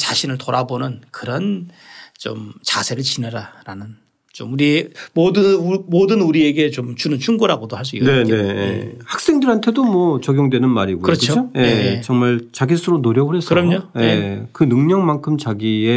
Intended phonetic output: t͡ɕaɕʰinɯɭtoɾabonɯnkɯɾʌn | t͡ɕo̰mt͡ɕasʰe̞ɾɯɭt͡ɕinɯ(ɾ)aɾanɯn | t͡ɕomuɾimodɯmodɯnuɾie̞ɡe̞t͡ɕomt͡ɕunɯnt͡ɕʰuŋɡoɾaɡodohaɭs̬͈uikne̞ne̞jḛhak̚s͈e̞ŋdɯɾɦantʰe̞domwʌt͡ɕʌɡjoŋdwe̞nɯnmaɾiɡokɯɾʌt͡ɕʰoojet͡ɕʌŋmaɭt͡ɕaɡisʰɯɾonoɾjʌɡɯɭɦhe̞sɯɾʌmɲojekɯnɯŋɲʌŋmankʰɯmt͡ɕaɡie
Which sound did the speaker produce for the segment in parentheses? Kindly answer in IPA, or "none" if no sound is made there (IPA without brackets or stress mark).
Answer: ɾ